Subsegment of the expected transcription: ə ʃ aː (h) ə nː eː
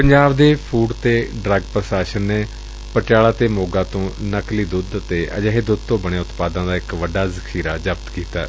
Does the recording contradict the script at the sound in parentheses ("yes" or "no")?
yes